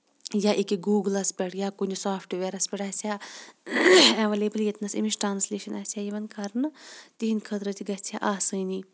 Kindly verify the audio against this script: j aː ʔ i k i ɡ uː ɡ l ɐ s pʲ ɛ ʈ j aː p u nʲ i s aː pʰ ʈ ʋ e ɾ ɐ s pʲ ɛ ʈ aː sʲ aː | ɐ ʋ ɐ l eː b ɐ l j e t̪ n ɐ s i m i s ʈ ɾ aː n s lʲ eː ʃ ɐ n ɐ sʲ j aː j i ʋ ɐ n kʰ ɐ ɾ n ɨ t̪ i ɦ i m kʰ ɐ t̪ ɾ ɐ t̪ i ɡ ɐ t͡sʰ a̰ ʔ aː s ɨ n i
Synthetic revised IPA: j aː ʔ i k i ɡ uː ɡ l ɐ s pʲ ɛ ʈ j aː k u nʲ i s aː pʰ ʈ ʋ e ɾ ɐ s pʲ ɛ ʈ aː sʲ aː | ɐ ʋ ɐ l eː b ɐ l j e t̪ n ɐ s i m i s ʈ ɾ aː n s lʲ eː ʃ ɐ n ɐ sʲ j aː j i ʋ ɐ n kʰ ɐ ɾ n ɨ t̪ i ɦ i n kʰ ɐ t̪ ɾ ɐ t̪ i ɡ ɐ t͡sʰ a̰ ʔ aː s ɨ n i